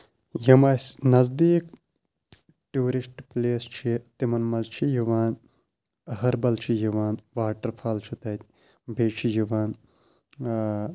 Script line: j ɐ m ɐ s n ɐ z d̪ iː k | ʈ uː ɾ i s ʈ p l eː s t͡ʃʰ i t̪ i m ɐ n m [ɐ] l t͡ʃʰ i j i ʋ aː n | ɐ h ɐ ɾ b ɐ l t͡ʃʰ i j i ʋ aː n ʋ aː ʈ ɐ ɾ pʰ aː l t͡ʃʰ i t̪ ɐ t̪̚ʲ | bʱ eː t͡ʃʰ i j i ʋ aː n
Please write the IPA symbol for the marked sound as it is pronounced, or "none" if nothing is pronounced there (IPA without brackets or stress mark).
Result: ɐ